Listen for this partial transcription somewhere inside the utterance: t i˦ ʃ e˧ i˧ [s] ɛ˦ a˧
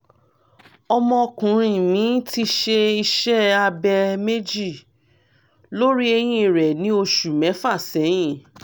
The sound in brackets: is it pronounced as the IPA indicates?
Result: no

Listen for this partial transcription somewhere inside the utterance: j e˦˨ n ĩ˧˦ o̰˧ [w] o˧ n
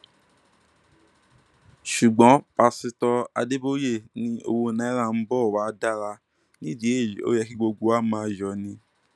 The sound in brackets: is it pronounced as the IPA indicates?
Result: yes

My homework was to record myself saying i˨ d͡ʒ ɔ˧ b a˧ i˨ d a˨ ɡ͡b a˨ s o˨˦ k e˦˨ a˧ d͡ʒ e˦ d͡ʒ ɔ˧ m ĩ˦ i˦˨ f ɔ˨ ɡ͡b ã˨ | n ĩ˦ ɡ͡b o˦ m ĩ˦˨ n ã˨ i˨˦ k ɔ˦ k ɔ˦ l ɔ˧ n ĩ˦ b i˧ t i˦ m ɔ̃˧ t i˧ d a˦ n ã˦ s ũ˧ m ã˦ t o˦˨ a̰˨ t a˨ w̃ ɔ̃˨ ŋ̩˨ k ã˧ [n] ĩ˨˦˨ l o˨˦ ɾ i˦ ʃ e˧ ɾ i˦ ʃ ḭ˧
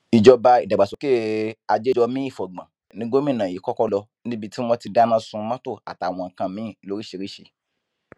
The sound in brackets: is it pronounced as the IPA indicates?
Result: no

